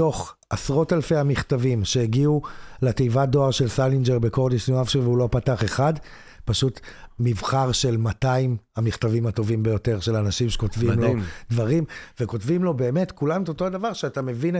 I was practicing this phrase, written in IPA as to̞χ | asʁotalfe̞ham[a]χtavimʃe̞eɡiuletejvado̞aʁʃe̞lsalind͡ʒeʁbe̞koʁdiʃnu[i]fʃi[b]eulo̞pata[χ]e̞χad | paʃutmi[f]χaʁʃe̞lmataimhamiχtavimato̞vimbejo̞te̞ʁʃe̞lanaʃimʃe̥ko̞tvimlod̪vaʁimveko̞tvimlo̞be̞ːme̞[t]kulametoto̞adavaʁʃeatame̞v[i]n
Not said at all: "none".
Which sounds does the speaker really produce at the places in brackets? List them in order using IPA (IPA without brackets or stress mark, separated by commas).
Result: i, a, v, χ, v, t, i